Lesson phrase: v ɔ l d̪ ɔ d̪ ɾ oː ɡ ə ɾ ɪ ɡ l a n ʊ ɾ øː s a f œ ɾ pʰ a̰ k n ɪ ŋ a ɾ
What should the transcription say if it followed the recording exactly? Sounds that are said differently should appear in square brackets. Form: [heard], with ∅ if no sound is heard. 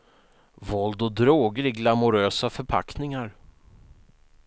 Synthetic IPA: v ɔ l d̪ ɔ d̪ ɾ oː ɡ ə ɾ ɪ ɡ l a [m] ʊ ɾ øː s a f œ ɾ pʰ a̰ k n ɪ ŋ a ɾ